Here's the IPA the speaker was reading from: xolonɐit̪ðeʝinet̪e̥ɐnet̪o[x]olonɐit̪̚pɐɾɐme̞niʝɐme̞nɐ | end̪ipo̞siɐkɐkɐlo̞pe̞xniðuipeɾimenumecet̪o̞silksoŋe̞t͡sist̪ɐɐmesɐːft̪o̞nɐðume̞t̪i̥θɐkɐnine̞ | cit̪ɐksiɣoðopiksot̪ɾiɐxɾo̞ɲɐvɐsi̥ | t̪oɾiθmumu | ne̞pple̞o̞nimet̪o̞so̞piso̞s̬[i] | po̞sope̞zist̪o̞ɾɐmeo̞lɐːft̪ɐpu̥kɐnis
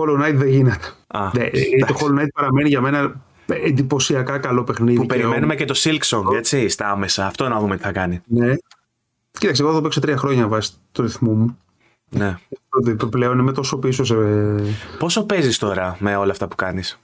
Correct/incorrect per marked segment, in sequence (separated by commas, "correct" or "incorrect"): correct, incorrect